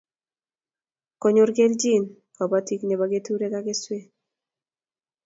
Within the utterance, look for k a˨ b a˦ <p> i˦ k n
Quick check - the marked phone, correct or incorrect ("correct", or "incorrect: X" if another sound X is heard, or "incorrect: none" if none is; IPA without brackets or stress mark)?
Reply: incorrect: t